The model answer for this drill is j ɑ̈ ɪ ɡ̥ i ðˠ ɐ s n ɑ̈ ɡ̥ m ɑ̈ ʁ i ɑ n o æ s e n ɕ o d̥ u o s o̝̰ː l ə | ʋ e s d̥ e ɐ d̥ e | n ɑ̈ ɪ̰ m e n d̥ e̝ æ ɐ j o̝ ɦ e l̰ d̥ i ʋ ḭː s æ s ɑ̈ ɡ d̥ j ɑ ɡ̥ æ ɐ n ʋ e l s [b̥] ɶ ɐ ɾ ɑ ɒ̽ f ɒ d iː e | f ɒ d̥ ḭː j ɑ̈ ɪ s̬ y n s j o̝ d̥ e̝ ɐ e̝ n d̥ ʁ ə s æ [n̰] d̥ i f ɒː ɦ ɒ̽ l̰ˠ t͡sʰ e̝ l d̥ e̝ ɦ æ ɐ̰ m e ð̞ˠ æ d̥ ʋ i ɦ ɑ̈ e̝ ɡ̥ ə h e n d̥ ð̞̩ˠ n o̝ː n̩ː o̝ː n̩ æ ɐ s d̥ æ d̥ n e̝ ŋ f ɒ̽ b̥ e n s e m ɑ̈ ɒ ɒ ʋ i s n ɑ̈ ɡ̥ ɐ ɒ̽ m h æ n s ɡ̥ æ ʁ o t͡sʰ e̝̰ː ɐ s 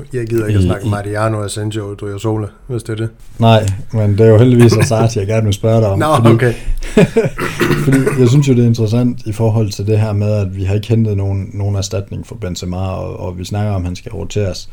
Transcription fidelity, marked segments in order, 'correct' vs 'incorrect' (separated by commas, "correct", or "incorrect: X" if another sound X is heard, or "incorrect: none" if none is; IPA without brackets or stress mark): correct, correct